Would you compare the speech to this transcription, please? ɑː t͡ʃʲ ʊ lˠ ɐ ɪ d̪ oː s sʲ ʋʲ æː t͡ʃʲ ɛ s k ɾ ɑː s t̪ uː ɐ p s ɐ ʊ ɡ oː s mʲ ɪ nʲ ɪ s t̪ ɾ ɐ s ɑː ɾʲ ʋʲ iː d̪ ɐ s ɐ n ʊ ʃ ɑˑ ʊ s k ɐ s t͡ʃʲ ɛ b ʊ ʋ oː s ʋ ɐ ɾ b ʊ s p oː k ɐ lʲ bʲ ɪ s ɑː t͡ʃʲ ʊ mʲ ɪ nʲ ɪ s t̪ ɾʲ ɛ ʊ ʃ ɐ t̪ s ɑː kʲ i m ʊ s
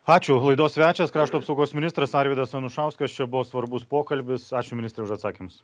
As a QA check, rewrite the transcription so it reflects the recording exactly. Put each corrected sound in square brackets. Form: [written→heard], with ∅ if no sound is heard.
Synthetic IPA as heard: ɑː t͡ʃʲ ʊ lˠ ɐ ɪ d̪ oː s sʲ ʋʲ æː t͡ʃʲ ɛ s k ɾ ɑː [s→ʃ] t̪ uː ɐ p s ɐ ʊ ɡ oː s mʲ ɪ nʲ ɪ s t̪ ɾ ɐ s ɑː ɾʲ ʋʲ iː d̪ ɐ s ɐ n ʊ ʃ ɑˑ ʊ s k ɐ s t͡ʃʲ ɛ b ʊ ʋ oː s ʋ ɐ ɾ b ʊ s p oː k ɐ lʲ bʲ ɪ s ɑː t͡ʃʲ ʊ mʲ ɪ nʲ ɪ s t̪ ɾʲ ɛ ʊ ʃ ɐ t̪ s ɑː kʲ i m ʊ s